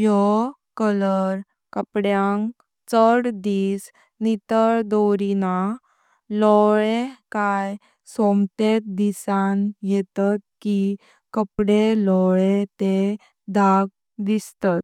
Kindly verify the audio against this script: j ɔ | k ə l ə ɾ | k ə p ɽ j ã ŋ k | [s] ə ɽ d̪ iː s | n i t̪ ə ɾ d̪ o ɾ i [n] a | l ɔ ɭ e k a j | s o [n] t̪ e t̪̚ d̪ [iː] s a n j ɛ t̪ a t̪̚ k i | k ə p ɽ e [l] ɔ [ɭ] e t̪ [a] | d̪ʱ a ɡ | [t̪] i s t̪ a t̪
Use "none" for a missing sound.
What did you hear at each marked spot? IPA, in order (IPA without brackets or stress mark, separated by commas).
t͡s, n, m, i, l, ɭ, e, d̪